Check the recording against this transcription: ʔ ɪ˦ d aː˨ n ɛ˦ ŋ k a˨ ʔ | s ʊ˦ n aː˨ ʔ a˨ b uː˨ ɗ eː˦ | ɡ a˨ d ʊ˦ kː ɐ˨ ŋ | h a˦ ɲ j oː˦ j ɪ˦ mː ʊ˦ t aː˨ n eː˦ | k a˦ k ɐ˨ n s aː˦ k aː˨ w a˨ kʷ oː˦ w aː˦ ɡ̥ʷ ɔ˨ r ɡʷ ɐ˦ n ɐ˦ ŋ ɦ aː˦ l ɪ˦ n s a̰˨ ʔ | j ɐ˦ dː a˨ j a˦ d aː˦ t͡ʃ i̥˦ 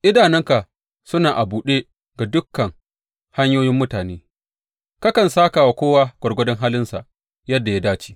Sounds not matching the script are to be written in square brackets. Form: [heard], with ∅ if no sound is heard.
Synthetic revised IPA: ʔ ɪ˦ d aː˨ n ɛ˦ ŋ k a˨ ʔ | s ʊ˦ n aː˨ ʔ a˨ b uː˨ ɗ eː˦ | ɡ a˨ d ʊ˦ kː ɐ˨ ŋ | h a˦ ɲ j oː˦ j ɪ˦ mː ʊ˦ t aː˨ n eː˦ | k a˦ k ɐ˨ n s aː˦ k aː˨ w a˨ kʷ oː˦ w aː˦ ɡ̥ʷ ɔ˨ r ɡʷ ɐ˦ [d] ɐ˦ ŋ ɦ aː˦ l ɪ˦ n s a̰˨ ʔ | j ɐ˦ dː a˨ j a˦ d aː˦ t͡ʃ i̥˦

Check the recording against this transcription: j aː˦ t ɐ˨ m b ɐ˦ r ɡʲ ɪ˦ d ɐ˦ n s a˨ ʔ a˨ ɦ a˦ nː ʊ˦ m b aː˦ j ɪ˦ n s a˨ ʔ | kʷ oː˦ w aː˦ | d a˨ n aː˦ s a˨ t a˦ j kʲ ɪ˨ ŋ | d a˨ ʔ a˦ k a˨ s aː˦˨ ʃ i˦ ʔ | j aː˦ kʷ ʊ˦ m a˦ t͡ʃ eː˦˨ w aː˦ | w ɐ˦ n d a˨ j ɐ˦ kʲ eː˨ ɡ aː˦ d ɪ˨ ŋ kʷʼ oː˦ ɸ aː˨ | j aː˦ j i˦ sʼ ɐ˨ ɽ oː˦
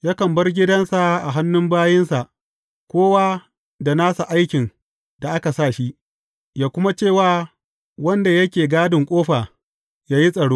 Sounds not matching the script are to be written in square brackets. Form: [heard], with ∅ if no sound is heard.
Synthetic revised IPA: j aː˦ [k] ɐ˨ m b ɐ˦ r ɡʲ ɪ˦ d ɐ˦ n s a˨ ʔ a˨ ɦ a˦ nː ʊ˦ m b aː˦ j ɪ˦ n s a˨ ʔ | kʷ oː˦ w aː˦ | d a˨ n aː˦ s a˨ [ʔ] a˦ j kʲ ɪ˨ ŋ | d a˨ ʔ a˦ k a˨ s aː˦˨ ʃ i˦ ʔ | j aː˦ kʷ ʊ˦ m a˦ t͡ʃ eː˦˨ w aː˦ | w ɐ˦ n d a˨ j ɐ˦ kʲ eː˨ ɡ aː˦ d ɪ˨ ŋ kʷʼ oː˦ ɸ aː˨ | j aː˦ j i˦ sʼ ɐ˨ ɽ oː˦

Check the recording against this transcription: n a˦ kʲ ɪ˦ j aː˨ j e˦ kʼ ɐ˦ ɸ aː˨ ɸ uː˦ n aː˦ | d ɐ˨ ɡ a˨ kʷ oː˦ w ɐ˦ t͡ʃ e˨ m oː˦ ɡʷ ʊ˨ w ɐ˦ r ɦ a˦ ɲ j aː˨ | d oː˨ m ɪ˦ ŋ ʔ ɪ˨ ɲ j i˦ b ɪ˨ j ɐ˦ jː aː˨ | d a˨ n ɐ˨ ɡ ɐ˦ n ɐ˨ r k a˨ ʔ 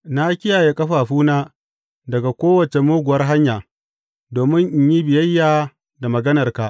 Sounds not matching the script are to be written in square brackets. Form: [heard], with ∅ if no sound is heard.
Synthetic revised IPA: n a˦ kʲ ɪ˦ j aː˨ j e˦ kʼ ɐ˦ ɸ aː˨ ɸ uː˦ n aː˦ | d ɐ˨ ɡ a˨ kʷ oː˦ w [ɐ˨] t͡ʃ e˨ m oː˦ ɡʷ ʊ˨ w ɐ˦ r ɦ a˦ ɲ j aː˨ | d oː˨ m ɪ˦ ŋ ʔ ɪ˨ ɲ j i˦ b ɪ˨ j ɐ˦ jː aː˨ | d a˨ [m] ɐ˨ ɡ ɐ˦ n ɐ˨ r k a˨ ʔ

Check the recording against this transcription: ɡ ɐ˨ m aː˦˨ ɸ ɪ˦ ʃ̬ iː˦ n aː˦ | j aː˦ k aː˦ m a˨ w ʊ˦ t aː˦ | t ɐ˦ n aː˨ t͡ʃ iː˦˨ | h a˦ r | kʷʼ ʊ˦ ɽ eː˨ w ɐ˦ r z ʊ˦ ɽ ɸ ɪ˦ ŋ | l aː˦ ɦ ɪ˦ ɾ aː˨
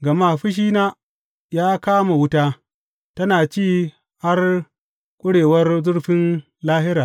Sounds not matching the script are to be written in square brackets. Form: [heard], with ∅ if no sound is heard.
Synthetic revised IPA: ɡ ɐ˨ m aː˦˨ ɸ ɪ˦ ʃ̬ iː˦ n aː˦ | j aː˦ k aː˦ m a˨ w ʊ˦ t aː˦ | t ɐ˦ n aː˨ t͡ʃ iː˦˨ | h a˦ r | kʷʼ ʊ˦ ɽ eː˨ w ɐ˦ r z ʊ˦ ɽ ɸ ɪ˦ [n] | l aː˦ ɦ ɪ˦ ɾ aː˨

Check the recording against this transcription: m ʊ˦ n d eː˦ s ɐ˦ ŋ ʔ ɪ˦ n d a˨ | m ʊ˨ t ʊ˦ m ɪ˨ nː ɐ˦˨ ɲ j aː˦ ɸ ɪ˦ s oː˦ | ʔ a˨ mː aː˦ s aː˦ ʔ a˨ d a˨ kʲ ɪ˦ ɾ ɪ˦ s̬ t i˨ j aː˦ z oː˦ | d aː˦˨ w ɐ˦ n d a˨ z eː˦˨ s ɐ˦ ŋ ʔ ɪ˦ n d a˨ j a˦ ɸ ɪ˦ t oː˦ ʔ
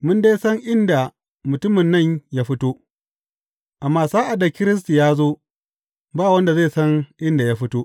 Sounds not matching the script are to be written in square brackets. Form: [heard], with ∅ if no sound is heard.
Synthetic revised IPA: m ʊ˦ n d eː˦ s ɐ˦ ŋ ʔ ɪ˦ n d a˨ | m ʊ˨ t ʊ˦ m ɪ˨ nː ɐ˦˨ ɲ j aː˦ ɸ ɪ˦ [t] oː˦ | ʔ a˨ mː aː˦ s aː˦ ʔ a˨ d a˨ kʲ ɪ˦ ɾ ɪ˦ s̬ t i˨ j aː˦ z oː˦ | [b] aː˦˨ w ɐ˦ n d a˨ z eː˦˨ s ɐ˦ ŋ ʔ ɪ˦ n d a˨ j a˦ ɸ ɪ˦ t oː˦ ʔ

